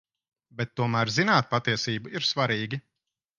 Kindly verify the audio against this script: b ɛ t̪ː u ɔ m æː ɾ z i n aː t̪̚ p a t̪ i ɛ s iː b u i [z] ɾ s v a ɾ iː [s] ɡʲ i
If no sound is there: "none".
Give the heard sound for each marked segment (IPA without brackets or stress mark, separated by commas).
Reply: none, none